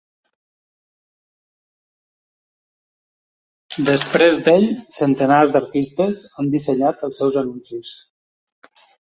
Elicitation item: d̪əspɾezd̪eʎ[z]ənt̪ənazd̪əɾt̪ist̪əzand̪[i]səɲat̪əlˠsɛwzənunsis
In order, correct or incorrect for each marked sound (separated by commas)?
incorrect, correct